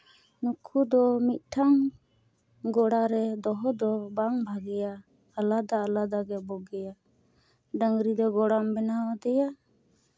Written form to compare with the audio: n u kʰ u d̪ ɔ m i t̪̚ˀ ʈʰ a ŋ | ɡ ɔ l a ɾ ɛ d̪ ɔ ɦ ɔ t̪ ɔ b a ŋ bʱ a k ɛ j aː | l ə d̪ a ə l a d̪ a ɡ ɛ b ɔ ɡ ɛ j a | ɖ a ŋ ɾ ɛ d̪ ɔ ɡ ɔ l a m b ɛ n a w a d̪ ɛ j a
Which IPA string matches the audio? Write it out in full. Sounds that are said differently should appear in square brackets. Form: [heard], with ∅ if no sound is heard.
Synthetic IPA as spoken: n u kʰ u d̪ ɔ m i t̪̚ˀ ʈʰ a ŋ | ɡ ɔ [ɽ] a ɾ ɛ d̪ ɔ ɦ ɔ [d̪] ɔ b a ŋ bʱ a [ɡ] ɛ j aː | l [a] d̪ a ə l a d̪ a ɡ ɛ b ɔ ɡ ɛ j a | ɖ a ŋ ɾ [i] d̪ ɔ ɡ ɔ [ɽ] a m b ɛ n a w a d̪ ɛ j a